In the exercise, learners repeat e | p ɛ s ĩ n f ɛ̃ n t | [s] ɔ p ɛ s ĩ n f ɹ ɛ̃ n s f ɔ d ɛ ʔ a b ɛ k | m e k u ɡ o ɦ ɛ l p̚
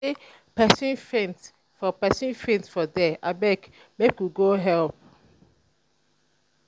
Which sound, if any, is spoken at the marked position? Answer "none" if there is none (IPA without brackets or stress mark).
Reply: f